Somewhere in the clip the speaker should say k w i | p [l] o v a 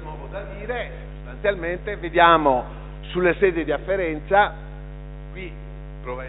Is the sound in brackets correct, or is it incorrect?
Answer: incorrect